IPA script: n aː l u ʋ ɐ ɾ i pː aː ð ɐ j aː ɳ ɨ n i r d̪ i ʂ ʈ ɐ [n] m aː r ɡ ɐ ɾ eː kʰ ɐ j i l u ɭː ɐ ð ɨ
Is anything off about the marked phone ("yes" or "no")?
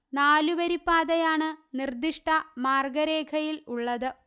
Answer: yes